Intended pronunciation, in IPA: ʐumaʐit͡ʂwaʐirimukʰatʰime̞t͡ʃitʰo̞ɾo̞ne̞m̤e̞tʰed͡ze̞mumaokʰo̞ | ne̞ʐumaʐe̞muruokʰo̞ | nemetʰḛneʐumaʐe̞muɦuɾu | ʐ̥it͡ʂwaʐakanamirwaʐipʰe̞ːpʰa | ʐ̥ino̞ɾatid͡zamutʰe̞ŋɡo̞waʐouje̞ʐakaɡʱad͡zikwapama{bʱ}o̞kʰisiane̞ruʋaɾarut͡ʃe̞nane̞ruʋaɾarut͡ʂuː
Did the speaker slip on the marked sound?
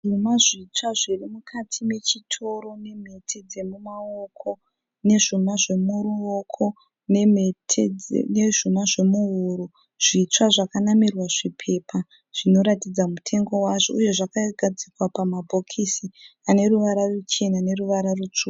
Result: no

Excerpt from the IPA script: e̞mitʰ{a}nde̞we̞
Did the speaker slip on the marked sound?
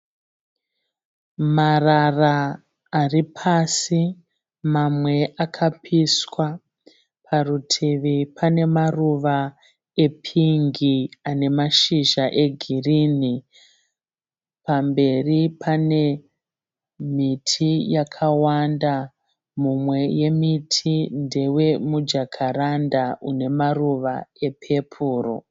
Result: yes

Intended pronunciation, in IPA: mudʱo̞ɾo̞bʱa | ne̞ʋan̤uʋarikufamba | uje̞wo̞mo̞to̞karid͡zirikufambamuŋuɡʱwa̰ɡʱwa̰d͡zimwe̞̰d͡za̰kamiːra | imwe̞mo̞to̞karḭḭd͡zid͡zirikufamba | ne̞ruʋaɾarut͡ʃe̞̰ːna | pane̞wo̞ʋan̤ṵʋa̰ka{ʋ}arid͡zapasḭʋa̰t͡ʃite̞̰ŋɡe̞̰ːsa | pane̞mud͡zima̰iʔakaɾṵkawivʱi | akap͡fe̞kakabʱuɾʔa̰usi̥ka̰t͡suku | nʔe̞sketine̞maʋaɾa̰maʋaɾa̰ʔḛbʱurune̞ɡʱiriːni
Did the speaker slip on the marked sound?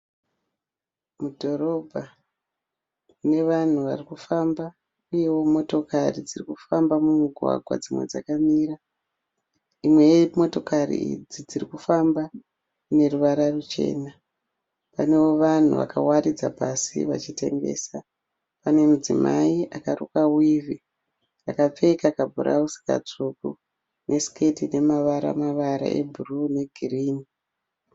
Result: yes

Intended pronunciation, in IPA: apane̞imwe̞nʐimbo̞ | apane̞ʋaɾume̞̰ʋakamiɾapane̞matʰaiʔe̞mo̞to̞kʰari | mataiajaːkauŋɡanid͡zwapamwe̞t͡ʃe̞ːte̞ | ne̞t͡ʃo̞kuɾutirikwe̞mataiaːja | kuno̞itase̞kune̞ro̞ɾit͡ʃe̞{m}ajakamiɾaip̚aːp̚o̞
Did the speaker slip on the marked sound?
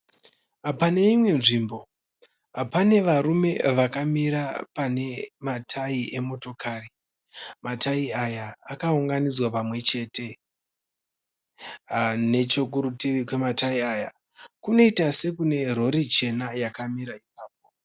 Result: yes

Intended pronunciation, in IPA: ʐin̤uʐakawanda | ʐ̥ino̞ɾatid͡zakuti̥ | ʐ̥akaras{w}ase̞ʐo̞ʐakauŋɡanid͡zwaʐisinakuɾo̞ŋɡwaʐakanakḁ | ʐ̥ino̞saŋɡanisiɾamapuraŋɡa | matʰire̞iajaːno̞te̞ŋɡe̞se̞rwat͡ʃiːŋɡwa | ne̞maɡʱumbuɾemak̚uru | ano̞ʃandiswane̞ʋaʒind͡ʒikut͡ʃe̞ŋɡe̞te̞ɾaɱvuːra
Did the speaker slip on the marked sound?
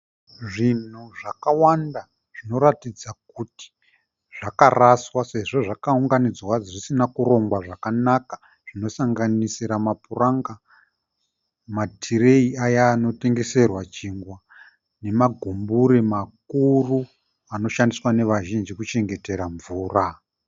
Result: no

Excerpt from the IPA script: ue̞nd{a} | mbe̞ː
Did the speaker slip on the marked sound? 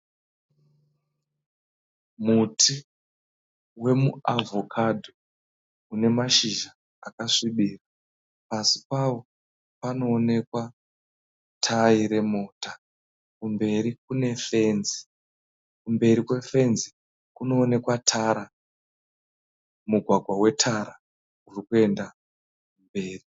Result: no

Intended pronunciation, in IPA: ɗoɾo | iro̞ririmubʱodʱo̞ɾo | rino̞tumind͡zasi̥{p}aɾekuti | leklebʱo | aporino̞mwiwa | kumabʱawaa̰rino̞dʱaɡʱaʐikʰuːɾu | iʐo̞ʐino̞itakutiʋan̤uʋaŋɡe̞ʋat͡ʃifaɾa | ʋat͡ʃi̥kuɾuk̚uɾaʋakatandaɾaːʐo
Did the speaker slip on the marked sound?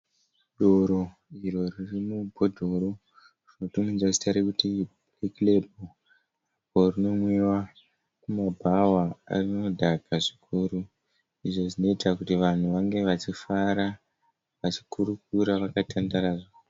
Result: yes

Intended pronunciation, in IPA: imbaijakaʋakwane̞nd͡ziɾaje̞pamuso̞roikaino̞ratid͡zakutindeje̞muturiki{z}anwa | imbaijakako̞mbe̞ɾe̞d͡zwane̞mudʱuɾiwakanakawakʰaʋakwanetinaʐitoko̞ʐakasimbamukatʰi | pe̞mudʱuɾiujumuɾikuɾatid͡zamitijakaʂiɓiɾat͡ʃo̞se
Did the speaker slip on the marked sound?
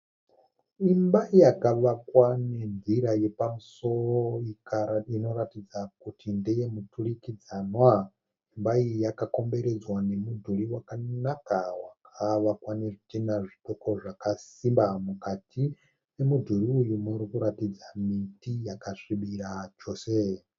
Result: yes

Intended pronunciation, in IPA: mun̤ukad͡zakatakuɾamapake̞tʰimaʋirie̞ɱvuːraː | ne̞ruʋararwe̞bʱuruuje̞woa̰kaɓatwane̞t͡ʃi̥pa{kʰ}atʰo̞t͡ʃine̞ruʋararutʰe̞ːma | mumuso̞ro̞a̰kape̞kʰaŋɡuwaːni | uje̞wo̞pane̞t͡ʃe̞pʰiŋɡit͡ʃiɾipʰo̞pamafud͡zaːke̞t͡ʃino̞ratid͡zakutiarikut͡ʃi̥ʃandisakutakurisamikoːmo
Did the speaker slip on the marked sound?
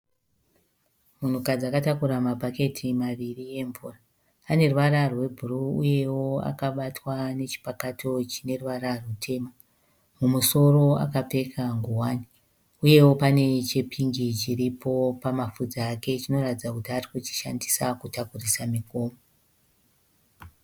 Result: yes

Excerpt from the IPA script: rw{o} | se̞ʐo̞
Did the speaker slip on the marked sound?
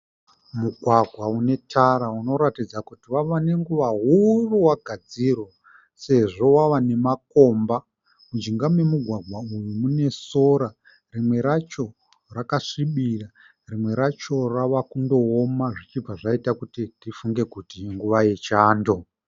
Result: no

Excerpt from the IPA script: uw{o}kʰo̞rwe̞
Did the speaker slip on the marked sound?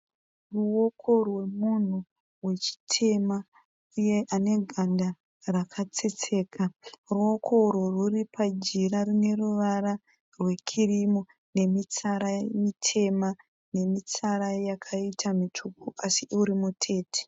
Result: no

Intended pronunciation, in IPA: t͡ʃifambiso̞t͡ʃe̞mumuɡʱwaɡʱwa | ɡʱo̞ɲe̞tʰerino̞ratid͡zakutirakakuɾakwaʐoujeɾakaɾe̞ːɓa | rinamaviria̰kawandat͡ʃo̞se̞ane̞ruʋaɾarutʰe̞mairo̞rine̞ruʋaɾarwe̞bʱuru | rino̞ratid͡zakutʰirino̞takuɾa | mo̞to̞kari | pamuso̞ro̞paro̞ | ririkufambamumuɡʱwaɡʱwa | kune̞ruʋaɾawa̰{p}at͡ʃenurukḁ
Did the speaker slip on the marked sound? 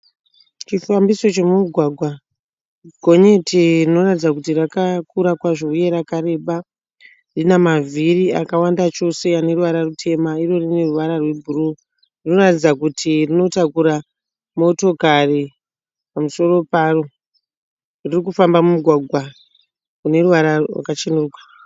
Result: yes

